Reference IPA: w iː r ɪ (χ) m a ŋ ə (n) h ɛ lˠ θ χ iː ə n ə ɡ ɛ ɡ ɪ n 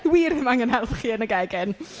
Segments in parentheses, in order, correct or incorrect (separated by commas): incorrect, correct